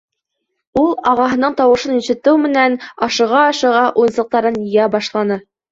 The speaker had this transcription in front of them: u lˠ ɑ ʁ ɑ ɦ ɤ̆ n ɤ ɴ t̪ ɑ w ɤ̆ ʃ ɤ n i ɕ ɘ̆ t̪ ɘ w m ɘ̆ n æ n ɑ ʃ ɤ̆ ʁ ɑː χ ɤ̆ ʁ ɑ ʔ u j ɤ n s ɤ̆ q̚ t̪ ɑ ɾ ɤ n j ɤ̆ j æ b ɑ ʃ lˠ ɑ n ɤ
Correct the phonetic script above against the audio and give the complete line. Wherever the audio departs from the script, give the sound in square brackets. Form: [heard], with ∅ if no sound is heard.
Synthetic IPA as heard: u lˠ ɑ ʁ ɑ ɦ ɤ̆ n ɤ ɴ t̪ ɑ w ɤ̆ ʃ ɤ n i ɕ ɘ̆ t̪ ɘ w m ɘ̆ n æ n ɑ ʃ ɤ̆ ʁ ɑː [ʃ] ɤ̆ ʁ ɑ ʔ u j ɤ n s ɤ̆ q̚ t̪ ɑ ɾ ɤ n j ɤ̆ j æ b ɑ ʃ lˠ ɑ n ɤ